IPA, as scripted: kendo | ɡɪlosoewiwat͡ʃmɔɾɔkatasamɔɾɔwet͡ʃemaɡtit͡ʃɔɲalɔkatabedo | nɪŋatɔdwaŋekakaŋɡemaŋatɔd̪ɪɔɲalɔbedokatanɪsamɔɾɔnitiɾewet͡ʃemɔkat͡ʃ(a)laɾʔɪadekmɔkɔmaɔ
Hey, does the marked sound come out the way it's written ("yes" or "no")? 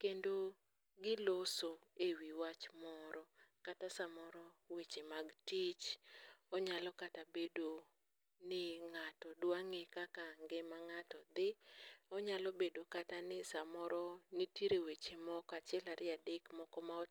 no